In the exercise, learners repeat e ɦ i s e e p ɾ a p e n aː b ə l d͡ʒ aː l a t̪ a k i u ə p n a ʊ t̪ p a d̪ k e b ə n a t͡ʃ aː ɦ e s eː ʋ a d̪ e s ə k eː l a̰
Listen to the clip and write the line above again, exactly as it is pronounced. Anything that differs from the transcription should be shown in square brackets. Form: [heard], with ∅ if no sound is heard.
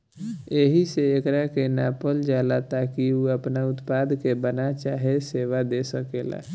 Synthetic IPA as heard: e ɦ i s e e [k] ɾ a [k] e n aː [p] ə l d͡ʒ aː l a t̪ a k i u ə p n a ʊ t̪ p a d̪ k e b ə n a t͡ʃ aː ɦ e s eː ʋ a d̪ e s ə k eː l a̰

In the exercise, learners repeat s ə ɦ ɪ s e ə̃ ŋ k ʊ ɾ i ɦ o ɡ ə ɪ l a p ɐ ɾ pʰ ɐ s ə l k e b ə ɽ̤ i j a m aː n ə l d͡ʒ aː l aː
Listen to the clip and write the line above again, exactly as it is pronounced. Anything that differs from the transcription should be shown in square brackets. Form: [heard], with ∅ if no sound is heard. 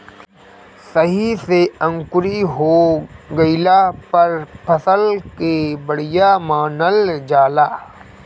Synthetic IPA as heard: s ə ɦ [i] s e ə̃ ŋ k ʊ ɾ i ɦ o ɡ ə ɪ l a p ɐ ɾ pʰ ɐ s ə l k e b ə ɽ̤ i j a m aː n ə l d͡ʒ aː l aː

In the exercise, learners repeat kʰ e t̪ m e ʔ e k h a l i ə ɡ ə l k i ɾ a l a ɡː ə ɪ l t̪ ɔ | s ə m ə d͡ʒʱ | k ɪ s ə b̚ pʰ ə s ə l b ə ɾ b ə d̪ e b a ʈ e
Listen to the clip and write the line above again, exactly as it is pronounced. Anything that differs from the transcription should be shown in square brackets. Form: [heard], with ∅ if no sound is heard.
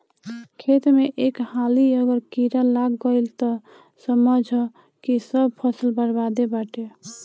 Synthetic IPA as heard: kʰ e t̪ m e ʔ e k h a l i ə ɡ ə [ɾ] k i ɾ a l a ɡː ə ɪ l t̪ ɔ | s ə m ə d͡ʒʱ | k [i] s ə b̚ pʰ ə s ə l b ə ɾ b [a] d̪ e b a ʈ e

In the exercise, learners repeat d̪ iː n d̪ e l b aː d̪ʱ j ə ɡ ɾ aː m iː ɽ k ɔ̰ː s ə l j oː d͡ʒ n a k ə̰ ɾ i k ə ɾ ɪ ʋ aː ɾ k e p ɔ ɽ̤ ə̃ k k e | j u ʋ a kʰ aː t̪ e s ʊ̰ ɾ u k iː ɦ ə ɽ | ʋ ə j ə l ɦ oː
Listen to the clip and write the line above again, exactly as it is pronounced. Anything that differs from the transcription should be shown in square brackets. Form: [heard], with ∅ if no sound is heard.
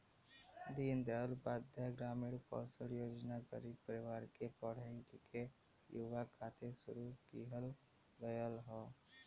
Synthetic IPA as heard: d̪ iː n d̪ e l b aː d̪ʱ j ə ɡ ɾ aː m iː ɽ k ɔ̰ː s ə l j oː d͡ʒ n a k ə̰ ɾ i [p] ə ɾ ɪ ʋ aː ɾ k e p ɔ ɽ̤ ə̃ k k e | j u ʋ a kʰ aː t̪ e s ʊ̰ ɾ u k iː ɦ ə [l] | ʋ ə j ə l ɦ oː

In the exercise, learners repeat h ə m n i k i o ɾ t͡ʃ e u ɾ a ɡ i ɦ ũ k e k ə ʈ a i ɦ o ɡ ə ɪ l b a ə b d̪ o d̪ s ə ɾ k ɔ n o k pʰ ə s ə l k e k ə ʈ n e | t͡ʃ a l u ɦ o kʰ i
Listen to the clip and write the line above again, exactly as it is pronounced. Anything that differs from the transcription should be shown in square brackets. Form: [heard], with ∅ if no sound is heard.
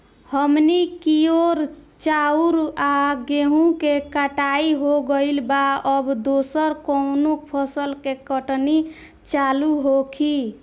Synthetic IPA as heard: h ə m n i k i o ɾ t͡ʃ [a] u ɾ a ɡ [e] ɦ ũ k e k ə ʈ a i ɦ o ɡ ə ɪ l b a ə b d̪ o [∅] s ə ɾ k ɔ n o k pʰ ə s ə l k e k ə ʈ n [i] | t͡ʃ a l u ɦ o kʰ i

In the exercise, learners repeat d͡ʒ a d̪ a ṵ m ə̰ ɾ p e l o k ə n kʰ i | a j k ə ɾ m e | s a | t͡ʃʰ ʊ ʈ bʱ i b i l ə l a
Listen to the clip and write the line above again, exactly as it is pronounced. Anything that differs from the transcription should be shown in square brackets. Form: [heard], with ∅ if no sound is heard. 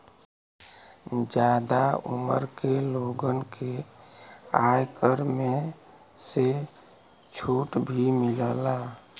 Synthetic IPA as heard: d͡ʒ a d̪ a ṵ m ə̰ ɾ [k] e l o [ɡ] ə n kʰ [e] | a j k ə ɾ m e | s [e] | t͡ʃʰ [u] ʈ bʱ i [m] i l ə l a

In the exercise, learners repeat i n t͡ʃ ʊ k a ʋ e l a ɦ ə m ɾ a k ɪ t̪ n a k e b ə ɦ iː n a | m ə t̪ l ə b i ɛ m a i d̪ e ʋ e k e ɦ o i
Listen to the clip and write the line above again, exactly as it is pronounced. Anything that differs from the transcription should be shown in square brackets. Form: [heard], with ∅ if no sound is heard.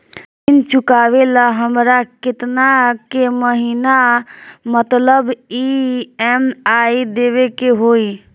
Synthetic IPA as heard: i n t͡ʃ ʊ k a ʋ e l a ɦ ə m ɾ a k ɪ t̪ n a k e [m] ə ɦ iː n a | m ə t̪ l ə b i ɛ m a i d̪ e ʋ e k e ɦ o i

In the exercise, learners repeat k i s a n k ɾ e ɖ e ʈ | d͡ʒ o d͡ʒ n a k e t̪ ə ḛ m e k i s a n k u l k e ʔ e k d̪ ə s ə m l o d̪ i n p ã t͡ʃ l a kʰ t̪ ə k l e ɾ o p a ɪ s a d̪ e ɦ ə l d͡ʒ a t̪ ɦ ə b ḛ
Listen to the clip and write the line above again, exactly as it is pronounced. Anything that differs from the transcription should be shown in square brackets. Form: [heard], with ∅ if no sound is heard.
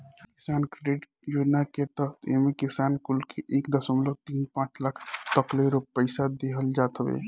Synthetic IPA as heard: k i s a n k ɾ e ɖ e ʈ | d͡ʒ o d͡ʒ n a k e t̪ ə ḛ m e k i s a n k u l k e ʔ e k d̪ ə s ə m l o [t̪] i n p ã t͡ʃ l a kʰ t̪ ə k l e ɾ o p [ə] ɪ s a d̪ e ɦ ə l d͡ʒ a t̪ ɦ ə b ḛ

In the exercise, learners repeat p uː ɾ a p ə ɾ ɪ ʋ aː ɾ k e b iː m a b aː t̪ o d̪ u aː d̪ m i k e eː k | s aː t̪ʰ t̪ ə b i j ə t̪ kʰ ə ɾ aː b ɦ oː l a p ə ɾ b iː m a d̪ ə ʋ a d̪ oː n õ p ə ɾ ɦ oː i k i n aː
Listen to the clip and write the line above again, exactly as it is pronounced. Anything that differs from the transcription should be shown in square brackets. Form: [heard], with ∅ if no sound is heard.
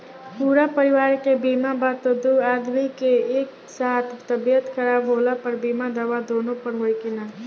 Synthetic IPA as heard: p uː ɾ a p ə ɾ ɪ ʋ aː ɾ k e b iː m a b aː t̪ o d̪ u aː d̪ m i k e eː k | s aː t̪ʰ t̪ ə b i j ə t̪ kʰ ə ɾ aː b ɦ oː l a p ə ɾ b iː m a d̪ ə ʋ a d̪ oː n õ p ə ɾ ɦ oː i k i n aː

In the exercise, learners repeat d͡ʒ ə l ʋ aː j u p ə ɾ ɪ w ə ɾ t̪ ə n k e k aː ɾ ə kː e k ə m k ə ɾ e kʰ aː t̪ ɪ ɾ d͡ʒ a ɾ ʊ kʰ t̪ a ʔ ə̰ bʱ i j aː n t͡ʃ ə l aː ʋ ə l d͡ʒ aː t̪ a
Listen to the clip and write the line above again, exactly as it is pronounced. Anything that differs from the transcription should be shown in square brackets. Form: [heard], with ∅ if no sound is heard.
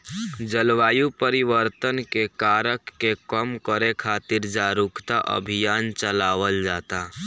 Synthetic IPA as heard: d͡ʒ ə l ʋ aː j u p ə ɾ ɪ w ə ɾ t̪ ə n k e k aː ɾ ə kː e k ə m k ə ɾ e kʰ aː t̪ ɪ ɾ d͡ʒ a ɾ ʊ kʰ t̪ a ʔ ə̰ bʱ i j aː n t͡ʃ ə l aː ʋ ə l d͡ʒ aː t̪ a

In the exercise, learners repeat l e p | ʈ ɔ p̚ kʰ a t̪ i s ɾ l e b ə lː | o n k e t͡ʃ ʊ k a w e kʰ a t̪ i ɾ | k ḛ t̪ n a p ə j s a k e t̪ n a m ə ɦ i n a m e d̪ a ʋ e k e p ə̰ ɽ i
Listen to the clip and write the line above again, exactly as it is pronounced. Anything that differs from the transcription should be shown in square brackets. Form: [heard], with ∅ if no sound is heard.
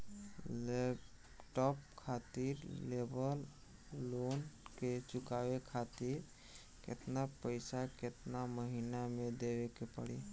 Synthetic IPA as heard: l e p | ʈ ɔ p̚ kʰ a t̪ i [∅] ɾ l e b ə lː | o n k e t͡ʃ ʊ k a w e kʰ a t̪ i ɾ | k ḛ t̪ n a p ə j s a k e t̪ n a m ə ɦ i n a m e d̪ [e] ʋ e k e p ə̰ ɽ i

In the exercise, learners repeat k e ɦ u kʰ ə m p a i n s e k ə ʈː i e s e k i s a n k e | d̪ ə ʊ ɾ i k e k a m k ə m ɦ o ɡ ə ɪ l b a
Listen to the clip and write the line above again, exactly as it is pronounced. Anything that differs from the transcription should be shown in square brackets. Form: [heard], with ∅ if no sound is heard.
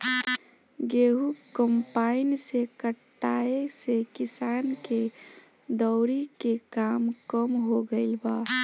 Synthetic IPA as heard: [ɡ] e ɦ u [k] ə m p a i n s e k ə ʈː [a] e s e k i s a n k e | d̪ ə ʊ ɾ i k e k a m k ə m ɦ o ɡ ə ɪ l b a

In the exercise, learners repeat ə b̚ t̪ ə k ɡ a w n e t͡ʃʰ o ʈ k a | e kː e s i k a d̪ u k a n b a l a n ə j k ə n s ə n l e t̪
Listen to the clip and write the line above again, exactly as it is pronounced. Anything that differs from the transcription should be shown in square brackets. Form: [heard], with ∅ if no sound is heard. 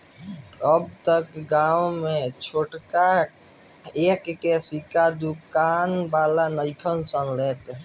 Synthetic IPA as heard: ə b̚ t̪ ə k ɡ a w [m] e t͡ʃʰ o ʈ k a | e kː e s i k a d̪ u k a n b a l a n ə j [kʰ] ə n s ə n l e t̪

